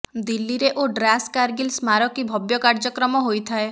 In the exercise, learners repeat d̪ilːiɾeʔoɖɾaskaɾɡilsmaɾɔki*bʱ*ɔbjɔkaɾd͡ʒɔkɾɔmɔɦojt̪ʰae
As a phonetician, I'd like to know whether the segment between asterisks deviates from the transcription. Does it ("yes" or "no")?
no